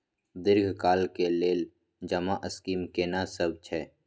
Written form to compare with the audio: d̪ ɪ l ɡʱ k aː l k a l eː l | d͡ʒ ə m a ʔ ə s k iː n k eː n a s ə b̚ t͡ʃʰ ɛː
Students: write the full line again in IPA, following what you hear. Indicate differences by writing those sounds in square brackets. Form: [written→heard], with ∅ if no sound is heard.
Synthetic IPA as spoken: d̪ ɪ [l→ɾ] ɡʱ k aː l k [a→e] l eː l | d͡ʒ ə m a ʔ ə s k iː [n→m] k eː n a s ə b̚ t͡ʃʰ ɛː